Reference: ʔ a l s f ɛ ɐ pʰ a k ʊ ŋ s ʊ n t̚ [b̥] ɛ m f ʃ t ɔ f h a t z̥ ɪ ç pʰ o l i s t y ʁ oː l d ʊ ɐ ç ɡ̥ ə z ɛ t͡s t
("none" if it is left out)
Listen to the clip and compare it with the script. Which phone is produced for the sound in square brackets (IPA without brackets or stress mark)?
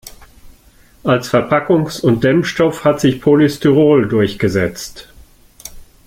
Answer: d̥